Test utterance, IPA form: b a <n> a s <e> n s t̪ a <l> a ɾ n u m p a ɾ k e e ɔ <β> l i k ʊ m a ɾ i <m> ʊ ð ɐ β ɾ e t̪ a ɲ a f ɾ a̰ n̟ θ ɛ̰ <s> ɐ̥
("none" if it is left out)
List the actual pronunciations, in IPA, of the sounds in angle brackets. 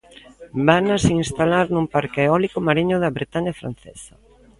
n, i, l, none, ɲ, s

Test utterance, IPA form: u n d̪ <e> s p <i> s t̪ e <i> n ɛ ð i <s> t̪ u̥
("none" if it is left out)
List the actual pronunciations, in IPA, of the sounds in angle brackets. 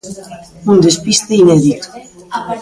e, i, i, none

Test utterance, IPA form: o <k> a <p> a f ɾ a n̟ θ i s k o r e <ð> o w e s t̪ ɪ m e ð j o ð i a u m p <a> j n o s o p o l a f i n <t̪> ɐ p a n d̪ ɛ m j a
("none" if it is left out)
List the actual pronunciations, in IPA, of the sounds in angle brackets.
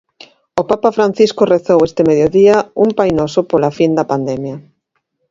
p, p, θ, a, d̪

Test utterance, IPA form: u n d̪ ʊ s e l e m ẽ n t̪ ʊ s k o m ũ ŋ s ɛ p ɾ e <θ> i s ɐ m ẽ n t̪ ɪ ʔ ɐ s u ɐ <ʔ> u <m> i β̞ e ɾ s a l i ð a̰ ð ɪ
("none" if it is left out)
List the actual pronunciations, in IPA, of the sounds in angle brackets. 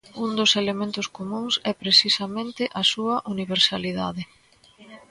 s, ʔ, n

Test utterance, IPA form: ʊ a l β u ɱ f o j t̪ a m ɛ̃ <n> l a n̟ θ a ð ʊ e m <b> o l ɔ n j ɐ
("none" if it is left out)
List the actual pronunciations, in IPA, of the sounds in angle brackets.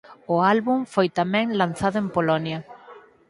ŋ, p

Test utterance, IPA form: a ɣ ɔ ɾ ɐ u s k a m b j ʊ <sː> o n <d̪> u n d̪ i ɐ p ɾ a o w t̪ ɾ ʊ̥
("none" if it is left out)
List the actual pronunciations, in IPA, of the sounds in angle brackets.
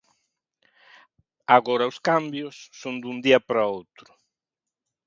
sː, d̪

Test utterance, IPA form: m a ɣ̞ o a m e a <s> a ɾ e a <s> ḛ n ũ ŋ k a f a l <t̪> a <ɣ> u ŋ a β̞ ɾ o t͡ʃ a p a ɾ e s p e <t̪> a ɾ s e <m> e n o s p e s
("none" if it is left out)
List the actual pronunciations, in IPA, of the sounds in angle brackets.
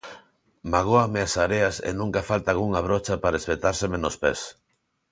s, s, t̪, ɣ, t̪, m

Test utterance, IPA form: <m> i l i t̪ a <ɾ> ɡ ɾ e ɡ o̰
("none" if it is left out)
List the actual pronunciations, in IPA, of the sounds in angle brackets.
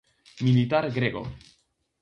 m, ɾ

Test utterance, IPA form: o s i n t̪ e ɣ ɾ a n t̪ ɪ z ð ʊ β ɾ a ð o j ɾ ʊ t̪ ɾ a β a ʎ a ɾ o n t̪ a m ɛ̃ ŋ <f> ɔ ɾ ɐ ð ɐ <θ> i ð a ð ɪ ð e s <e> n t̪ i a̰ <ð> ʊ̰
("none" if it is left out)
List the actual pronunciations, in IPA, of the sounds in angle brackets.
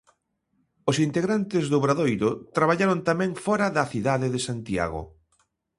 f, θ, a, ɣ

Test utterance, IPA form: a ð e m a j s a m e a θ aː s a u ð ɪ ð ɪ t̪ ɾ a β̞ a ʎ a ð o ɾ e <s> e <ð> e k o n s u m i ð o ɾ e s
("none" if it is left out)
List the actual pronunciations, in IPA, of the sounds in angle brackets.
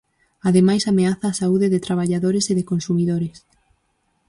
s, ð

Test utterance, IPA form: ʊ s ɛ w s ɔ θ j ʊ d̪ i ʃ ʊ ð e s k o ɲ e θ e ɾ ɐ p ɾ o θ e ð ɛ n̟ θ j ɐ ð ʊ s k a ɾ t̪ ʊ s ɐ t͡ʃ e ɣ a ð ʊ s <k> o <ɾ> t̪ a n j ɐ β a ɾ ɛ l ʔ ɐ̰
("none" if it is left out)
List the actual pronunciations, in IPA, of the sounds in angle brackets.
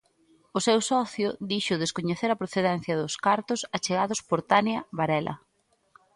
p, ɾ

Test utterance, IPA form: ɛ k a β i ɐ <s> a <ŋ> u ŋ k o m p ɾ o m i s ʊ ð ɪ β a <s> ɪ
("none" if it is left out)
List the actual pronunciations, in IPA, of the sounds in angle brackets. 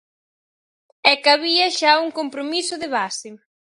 ʃ, none, s

